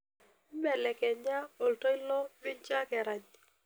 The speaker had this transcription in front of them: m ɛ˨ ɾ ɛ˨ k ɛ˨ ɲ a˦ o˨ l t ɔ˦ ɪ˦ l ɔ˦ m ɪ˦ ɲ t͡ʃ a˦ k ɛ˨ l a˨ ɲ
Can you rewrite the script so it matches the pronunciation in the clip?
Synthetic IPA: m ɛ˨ l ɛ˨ k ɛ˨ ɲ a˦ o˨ l t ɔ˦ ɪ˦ l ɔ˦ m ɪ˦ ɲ t͡ʃ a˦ k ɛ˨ ɾ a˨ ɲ